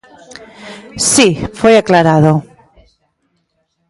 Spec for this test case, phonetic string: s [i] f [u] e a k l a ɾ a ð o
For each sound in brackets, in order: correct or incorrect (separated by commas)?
correct, incorrect